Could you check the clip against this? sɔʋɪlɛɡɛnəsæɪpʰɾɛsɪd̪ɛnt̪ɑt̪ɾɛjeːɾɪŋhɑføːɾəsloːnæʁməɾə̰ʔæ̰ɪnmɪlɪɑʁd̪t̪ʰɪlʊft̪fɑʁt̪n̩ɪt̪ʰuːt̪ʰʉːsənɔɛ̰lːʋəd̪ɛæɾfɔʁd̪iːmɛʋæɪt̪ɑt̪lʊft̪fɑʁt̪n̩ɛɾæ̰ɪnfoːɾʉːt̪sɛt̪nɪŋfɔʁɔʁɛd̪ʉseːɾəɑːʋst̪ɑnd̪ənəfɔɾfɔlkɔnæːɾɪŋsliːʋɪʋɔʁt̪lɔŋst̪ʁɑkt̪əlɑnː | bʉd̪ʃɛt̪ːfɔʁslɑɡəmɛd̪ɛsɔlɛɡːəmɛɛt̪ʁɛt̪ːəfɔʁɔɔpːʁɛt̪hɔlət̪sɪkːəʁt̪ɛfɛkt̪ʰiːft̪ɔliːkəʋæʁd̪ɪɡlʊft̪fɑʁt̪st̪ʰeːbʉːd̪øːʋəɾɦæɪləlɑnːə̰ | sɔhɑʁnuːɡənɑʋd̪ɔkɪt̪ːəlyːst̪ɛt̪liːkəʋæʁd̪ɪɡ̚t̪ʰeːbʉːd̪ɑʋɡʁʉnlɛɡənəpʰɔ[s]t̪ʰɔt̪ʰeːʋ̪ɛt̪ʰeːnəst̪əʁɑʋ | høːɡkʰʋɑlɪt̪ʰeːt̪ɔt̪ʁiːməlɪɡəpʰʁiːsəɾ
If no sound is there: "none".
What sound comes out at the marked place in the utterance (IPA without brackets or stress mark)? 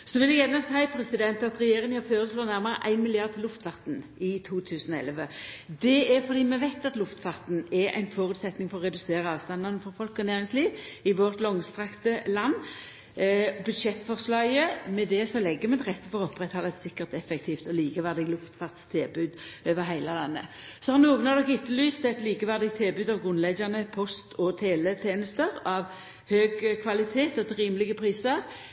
s